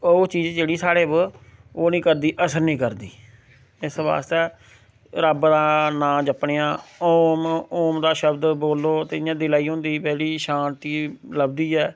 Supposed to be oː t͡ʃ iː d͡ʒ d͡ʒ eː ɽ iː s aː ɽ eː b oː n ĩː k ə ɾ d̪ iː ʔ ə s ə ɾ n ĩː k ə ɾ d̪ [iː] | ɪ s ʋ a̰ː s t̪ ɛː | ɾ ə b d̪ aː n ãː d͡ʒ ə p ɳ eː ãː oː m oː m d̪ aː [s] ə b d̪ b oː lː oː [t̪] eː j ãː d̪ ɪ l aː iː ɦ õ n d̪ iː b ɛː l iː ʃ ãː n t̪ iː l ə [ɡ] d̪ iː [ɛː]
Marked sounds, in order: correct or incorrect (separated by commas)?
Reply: correct, incorrect, correct, incorrect, correct